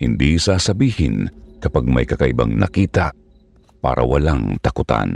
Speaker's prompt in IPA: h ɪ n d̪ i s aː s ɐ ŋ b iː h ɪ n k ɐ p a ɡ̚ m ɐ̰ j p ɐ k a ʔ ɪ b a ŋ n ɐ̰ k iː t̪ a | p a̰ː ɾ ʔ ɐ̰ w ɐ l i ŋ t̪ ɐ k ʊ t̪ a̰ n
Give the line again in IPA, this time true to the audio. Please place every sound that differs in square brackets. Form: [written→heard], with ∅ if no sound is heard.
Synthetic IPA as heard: h ɪ n d̪ i s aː s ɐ [ŋ→∅] b iː h ɪ n k ɐ p a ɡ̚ m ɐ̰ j [p→k] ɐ k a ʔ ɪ b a ŋ n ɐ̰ k iː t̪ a | p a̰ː ɾ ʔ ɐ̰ w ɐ l [i→a] ŋ t̪ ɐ k ʊ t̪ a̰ n